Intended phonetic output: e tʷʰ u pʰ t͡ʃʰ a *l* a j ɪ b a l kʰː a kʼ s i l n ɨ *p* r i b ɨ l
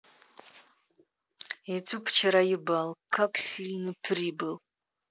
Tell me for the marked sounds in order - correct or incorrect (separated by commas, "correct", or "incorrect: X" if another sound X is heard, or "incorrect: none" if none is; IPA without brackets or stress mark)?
incorrect: ɾ, incorrect: pʰ